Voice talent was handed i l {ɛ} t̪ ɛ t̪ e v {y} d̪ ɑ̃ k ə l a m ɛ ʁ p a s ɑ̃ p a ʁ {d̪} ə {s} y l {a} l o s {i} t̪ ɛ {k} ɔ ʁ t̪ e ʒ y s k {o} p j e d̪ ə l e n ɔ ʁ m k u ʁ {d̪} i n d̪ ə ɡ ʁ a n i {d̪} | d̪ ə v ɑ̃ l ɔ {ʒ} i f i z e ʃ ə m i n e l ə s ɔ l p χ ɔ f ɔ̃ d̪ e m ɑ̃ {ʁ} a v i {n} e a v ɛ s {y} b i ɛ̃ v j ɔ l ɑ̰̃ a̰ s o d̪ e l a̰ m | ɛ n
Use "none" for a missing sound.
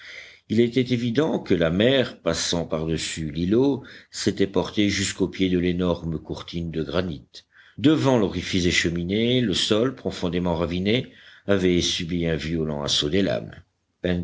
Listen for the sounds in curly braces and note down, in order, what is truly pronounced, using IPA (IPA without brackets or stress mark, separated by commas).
ɛ, i, d̪, s, i, e, p, o, t̪, t̪, ʁ, ʁ, n, y